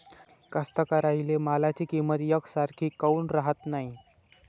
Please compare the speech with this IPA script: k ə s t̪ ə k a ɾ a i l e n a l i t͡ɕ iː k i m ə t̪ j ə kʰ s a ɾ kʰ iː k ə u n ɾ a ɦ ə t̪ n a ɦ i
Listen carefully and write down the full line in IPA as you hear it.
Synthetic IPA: k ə s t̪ ə k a ɾ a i l e m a l a t͡ɕ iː k i m ə t̪ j ə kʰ s a ɾ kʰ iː k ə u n ɾ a ɦ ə t̪ n a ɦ i